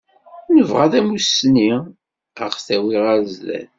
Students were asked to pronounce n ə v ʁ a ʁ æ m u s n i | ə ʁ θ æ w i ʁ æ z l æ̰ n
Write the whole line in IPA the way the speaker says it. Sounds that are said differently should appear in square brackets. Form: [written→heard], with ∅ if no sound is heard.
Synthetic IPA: n ə v ʁ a [ʁ→ð] æ m u s n i | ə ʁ θ æ w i ʁ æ z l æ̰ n